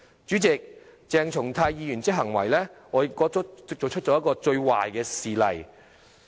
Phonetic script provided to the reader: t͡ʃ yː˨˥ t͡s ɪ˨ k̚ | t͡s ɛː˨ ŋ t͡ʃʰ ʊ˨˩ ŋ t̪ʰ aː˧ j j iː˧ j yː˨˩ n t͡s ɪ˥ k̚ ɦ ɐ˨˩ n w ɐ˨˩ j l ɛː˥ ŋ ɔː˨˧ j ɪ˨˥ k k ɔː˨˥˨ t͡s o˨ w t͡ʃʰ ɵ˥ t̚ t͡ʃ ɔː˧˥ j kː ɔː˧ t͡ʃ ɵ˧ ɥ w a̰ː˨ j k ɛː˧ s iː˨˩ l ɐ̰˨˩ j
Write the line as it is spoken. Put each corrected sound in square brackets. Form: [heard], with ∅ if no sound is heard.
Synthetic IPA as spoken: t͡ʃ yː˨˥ t͡s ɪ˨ k̚ | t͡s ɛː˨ ŋ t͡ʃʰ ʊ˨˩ ŋ t̪ʰ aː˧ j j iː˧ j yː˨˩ n t͡s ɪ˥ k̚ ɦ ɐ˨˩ [ŋ] w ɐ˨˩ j l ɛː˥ ŋ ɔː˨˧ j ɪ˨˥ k k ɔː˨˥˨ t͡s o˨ w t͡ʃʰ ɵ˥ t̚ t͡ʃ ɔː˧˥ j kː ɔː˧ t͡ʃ ɵ˧ ɥ w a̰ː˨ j k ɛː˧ s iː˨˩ l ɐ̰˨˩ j